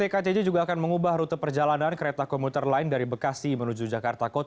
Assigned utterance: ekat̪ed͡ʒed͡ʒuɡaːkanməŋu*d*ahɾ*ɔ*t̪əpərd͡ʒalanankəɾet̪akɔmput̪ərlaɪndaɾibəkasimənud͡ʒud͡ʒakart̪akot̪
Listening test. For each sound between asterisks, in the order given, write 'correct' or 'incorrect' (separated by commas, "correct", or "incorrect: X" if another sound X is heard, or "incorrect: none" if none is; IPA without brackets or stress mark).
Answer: incorrect: b, incorrect: u